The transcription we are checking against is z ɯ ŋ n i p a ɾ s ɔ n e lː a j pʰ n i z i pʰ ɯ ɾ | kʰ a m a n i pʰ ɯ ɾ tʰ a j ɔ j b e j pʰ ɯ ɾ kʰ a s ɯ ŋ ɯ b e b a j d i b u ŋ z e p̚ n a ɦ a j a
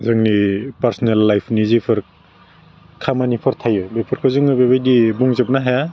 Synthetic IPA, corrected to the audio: z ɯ ŋ n i p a ɾ s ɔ n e lː a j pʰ n i z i pʰ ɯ ɾ | kʰ a m a n i pʰ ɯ ɾ tʰ a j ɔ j b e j pʰ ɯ ɾ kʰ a z ɯ ŋ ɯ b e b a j d i b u ŋ z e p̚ n a ɦ a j a